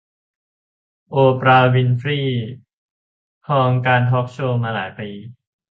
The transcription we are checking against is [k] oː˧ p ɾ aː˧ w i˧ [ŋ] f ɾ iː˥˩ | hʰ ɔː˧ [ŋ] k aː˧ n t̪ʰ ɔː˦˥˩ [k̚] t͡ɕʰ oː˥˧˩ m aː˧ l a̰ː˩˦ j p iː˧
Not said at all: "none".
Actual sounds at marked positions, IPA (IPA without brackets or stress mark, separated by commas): ʔ, n, ŋ, k̚